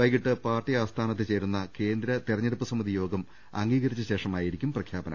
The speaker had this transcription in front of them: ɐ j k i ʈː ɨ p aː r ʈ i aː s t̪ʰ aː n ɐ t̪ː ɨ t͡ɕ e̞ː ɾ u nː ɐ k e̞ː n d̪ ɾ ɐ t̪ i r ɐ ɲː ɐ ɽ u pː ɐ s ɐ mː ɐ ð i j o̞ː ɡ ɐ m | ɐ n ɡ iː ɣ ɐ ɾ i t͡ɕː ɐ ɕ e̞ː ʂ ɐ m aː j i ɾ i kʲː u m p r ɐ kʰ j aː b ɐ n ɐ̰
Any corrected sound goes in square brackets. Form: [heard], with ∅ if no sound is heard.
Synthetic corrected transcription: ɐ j k i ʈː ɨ p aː r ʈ i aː s t̪ʰ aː n ɐ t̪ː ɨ t͡ɕ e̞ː ɾ u nː ɐ k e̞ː n d̪ ɾ ɐ t̪ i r ɐ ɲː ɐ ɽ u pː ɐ s ɐ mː ɐ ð i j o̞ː ɡ ɐ m | ɐ [ŋ] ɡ iː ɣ ɐ ɾ i t͡ɕː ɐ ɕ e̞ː ʂ ɐ m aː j i ɾ i kʲː u m p r ɐ kʰ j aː b ɐ n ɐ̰